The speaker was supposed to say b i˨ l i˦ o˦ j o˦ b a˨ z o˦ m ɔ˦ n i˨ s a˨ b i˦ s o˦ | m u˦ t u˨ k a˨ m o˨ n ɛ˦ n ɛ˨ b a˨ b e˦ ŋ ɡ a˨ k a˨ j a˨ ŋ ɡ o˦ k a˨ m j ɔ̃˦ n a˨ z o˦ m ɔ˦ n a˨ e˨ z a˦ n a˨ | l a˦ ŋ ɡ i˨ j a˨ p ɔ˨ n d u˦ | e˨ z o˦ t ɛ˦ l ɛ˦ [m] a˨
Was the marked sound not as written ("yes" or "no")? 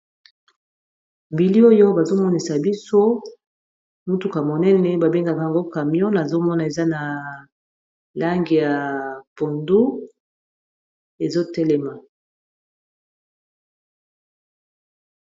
no